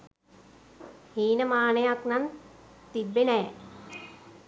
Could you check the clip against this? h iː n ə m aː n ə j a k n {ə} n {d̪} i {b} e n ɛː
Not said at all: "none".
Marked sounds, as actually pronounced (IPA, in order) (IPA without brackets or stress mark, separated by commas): a, t̪, bː